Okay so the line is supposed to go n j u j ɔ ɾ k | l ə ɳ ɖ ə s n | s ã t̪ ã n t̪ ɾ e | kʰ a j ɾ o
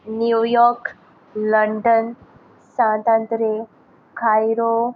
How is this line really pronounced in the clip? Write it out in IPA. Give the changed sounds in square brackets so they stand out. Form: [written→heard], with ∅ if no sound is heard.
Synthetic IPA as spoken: n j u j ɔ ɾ k | l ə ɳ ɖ ə [s→∅] n | s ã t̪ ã n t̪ ɾ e | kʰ a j ɾ o

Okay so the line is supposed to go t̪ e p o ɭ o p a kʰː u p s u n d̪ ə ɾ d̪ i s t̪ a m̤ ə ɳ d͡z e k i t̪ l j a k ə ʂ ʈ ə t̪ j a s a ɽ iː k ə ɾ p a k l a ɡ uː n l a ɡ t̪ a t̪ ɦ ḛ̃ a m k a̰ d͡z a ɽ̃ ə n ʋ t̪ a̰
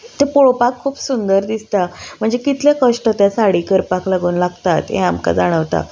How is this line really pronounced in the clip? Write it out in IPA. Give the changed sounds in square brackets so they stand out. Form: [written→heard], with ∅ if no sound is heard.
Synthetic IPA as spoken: t̪ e p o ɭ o p a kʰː [u→uː] p s u n d̪ ə ɾ d̪ i s t̪ a m̤ ə ɳ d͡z e k i t̪ l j a k ə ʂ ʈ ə t̪ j a s a ɽ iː k ə ɾ p a k l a ɡ uː n l a ɡ t̪ a t̪ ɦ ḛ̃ a m k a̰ d͡z a ɽ̃ ə [n→∅] ʋ t̪ a̰

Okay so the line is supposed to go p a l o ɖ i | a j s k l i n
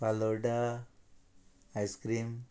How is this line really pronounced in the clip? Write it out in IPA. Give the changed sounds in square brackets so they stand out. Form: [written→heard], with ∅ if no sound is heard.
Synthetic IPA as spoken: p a l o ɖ [i→a] | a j s k [l→ɾ] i [n→m]

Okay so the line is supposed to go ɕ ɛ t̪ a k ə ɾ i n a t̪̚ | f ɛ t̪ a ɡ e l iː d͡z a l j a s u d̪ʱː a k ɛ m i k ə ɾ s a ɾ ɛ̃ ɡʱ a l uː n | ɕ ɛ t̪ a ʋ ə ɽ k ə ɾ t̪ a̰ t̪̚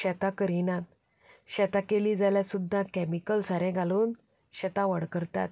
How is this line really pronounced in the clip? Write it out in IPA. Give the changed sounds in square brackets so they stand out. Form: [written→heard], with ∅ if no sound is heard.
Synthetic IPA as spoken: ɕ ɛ t̪ a k ə ɾ i n a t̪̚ | [f→ɕ] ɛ t̪ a [ɡ→k] e l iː d͡z a l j a s u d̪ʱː a k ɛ m i k ə [ɾ→l] s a ɾ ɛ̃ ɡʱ a l uː n | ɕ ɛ t̪ a ʋ ə ɽ k ə ɾ t̪ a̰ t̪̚

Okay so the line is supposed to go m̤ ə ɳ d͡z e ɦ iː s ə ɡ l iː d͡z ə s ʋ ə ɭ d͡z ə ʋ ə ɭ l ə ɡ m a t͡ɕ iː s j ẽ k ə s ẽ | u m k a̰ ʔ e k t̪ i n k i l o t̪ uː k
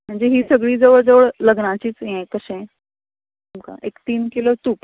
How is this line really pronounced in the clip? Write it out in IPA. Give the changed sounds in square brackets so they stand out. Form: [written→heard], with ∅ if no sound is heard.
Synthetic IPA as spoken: m̤ ə ɳ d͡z e ɦ iː s ə ɡ [l→ɭ] iː d͡z ə [s→∅] ʋ ə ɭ d͡z ə ʋ ə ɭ l ə ɡ [m→n] a t͡ɕ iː [s→t͡s] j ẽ k ə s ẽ | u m k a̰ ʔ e k t̪ [i→iː] n k i l o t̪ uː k

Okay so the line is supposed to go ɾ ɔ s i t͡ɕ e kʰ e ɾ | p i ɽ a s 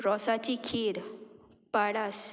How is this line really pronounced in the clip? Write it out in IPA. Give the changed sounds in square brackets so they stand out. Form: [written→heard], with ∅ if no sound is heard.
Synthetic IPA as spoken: ɾ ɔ s [i→a] t͡ɕ [e→i] kʰ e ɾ | p [i→a] ɽ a s

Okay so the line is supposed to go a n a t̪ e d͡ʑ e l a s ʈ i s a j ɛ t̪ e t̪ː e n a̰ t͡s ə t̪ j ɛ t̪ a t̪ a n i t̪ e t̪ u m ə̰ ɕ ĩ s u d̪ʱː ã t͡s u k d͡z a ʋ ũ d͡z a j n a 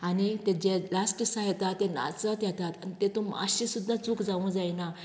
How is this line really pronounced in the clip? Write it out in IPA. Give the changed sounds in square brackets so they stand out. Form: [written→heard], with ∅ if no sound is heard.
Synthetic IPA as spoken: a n [a→i] t̪ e d͡ʑ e l a s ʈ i s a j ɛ t̪ [e→a] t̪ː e n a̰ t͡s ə t̪ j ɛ t̪ a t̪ a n i t̪ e t̪ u m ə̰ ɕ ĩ s u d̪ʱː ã t͡s u k d͡z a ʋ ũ d͡z a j n a

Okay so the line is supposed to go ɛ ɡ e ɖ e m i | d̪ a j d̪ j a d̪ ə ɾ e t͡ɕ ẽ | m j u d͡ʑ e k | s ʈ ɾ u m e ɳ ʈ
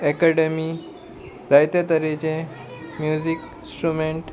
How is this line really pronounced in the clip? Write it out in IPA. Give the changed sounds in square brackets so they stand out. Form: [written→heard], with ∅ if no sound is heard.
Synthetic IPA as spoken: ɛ [ɡ→k] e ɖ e m i | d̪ a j [d̪→t̪] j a [d̪→t̪] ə ɾ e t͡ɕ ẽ | m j u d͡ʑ [e→i] k | s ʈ ɾ u m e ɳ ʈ

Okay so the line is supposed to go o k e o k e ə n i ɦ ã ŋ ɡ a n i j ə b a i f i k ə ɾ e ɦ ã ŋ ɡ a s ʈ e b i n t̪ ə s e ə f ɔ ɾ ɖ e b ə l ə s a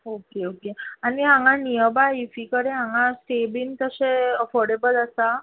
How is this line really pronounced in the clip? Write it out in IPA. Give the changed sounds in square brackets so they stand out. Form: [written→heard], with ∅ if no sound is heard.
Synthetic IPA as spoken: o k e o k e [ə→a] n i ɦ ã ŋ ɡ a n i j ə b a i f i k ə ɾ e ɦ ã ŋ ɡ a s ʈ e b i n t̪ ə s e ə f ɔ ɾ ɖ e b ə l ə s a

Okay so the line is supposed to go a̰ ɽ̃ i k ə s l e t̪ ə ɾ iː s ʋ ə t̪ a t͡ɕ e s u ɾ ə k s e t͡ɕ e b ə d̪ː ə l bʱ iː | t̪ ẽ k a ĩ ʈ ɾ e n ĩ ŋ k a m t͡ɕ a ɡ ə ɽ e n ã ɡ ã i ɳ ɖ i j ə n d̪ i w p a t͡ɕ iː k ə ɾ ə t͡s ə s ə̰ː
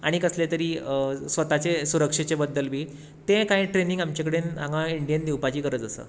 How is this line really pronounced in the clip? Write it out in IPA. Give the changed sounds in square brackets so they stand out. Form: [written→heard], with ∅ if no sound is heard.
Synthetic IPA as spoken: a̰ ɽ̃ i k ə s l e t̪ ə ɾ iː s ʋ ə t̪ a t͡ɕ e s u ɾ ə k [s→ʂ] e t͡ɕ e b ə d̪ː ə l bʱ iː | t̪ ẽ k a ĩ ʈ ɾ e n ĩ ŋ [k→ɡ] a m t͡ɕ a [ɡ→k] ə ɽ e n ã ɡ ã i ɳ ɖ i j ə n d̪ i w p a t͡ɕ iː k ə ɾ ə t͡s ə s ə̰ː

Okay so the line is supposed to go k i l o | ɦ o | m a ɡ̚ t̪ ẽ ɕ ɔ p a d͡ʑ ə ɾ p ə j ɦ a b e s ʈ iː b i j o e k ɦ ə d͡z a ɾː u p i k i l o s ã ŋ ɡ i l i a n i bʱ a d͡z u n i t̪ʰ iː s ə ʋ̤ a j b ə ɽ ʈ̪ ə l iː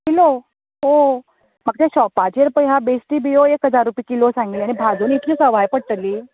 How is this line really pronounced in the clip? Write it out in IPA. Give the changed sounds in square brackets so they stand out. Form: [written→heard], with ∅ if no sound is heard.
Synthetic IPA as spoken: k i l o | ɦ o | m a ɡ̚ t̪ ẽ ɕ ɔ p a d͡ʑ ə ɾ p ə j ɦ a b e s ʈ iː b i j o e k ɦ ə d͡z a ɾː u p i k i l o s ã ŋ ɡ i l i a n i bʱ a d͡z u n i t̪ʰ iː s ə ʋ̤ a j [b→p] ə ɽ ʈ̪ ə l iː

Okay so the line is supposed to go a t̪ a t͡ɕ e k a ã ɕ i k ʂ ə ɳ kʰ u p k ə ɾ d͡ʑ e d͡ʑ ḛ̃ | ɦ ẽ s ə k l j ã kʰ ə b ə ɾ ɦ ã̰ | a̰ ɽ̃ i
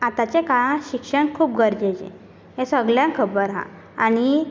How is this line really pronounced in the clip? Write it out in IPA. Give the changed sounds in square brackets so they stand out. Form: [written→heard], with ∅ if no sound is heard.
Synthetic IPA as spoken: a t̪ a t͡ɕ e k a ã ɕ i k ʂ ə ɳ kʰ [u→uː] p [k→ɡ] ə ɾ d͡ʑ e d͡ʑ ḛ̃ | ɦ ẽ s ə [k→ɡ] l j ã kʰ ə b ə ɾ ɦ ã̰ | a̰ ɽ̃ i

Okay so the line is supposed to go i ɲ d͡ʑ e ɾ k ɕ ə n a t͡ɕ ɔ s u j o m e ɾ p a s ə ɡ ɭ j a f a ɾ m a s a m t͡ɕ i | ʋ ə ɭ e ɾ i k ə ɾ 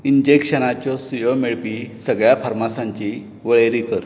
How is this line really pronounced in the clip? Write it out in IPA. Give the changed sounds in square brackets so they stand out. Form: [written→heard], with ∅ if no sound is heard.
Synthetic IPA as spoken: i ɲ d͡ʑ e [ɾ→∅] k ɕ ə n a t͡ɕ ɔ s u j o m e [ɾ→ɭ] p [a→i] s ə ɡ ɭ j a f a ɾ m a s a [m→ɲ] t͡ɕ i | ʋ ə ɭ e ɾ i k ə ɾ

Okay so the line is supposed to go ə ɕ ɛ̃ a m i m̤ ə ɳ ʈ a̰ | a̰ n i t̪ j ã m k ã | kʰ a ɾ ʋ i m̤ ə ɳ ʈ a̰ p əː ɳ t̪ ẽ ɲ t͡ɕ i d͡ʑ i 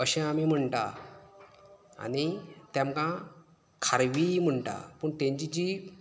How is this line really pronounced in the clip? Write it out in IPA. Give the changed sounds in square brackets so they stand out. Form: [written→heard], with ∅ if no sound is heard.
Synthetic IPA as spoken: ə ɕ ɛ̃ a m i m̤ ə ɳ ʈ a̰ | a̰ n i t̪ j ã m k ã | kʰ a ɾ ʋ i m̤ ə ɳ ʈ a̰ p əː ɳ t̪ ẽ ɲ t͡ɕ i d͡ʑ i

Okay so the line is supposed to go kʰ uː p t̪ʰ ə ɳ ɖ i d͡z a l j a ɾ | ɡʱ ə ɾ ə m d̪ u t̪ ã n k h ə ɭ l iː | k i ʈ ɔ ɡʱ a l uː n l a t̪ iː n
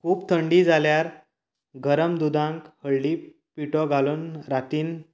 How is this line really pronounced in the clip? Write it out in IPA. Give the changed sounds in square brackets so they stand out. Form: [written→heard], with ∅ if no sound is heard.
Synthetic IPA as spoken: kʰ uː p t̪ʰ ə ɳ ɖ i d͡z a l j a ɾ | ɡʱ ə ɾ ə m d̪ u [t̪→d̪] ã [n→ŋ] k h ə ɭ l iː | [k→p] i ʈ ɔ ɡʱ a l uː n [l→ɾ] a t̪ iː n

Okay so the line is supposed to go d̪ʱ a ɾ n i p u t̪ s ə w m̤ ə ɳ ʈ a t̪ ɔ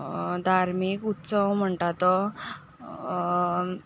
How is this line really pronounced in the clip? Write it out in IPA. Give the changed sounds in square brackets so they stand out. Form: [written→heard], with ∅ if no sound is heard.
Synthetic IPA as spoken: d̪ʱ a ɾ [n→m] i [p→k] u t̪ s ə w m̤ ə ɳ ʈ a t̪ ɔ

